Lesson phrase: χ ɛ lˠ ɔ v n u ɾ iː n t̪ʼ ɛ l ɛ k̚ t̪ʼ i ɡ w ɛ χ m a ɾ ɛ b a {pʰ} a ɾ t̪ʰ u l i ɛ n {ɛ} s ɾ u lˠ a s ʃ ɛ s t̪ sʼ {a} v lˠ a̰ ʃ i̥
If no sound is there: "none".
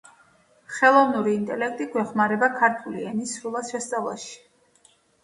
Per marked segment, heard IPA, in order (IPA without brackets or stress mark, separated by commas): kʰ, i, a